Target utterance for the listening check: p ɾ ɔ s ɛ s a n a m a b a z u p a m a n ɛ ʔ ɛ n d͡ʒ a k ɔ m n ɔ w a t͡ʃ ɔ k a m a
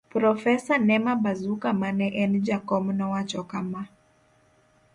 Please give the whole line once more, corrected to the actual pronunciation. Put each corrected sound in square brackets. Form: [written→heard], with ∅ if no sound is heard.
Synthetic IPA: p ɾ ɔ [s→f] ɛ s a n [a→ɛ] m a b a z u [p→k] a m a n ɛ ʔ ɛ n d͡ʒ a k ɔ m n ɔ w a t͡ʃ ɔ k a m a